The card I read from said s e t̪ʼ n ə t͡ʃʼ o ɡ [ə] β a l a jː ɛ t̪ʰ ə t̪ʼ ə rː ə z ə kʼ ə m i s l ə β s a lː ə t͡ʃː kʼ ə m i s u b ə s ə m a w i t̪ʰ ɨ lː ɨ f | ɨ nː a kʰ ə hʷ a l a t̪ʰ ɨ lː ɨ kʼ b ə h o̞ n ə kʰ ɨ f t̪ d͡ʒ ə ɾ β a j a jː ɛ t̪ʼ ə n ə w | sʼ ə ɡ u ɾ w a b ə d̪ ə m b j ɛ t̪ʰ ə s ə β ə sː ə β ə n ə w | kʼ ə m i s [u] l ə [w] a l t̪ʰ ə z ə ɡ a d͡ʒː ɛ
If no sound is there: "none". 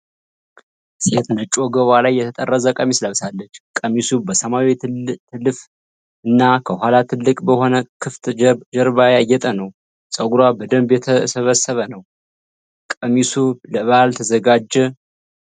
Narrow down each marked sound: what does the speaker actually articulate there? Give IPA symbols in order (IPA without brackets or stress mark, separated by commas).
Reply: ə, u, β